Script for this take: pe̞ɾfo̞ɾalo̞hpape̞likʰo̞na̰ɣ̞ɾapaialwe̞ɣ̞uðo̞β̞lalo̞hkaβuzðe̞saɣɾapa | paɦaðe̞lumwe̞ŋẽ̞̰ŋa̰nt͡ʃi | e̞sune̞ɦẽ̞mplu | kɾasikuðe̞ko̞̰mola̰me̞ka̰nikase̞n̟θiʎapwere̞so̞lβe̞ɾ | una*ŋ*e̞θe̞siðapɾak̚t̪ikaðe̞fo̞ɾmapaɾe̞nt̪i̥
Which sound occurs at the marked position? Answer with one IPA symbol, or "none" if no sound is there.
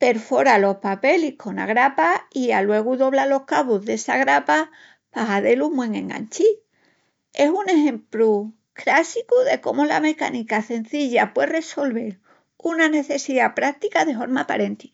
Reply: n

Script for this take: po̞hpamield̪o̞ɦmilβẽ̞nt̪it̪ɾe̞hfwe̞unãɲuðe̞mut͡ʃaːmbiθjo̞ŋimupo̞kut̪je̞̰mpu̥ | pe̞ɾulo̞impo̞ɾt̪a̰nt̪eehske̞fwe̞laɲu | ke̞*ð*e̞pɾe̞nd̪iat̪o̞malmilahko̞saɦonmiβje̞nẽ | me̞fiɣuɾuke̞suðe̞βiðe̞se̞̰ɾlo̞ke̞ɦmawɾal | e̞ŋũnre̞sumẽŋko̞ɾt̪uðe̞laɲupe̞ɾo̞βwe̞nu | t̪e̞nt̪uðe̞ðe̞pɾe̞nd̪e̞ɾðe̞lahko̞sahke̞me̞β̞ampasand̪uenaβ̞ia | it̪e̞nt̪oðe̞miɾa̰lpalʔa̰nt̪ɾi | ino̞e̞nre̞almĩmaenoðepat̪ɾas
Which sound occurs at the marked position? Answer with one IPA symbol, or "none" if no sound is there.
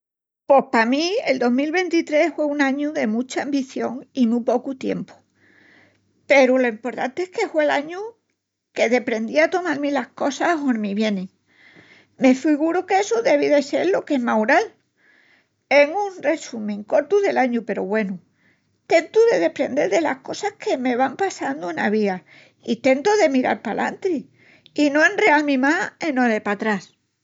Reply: ð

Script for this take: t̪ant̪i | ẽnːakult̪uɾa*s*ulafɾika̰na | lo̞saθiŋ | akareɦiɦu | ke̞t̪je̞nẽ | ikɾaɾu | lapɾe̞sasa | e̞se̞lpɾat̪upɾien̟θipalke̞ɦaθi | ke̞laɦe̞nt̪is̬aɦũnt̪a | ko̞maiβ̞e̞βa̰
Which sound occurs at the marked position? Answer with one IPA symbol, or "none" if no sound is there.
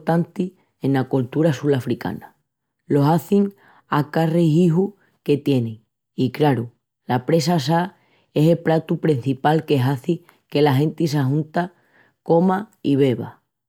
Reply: s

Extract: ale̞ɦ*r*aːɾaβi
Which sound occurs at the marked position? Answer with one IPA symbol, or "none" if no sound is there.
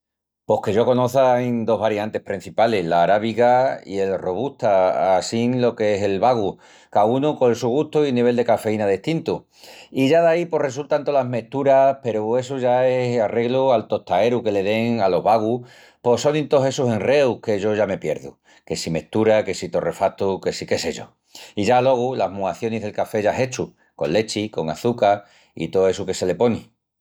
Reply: l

